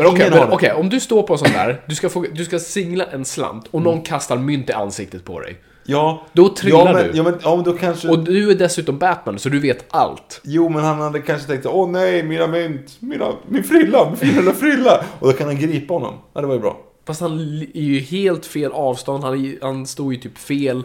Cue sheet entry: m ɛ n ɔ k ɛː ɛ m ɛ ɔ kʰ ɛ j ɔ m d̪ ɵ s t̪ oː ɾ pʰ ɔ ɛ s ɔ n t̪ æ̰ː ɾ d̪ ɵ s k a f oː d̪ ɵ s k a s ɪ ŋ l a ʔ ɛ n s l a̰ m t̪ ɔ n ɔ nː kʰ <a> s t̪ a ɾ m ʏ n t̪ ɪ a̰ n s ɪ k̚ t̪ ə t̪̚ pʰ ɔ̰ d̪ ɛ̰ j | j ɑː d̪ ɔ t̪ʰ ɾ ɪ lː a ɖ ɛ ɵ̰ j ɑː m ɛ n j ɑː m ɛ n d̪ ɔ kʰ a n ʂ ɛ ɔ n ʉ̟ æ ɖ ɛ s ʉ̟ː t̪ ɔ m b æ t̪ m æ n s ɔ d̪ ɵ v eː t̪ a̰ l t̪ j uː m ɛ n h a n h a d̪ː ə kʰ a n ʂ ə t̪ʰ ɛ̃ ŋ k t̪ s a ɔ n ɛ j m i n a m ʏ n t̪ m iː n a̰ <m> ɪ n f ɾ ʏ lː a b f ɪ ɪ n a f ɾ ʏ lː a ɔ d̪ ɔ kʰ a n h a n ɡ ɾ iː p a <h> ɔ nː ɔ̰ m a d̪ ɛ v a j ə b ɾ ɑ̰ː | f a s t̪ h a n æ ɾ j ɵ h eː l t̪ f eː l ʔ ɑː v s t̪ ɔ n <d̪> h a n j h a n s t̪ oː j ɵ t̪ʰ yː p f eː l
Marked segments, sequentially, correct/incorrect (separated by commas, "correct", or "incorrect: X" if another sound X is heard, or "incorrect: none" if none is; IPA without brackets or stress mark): correct, correct, correct, correct